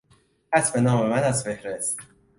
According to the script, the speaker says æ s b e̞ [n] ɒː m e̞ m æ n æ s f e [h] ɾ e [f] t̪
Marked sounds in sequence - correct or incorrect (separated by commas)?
correct, correct, incorrect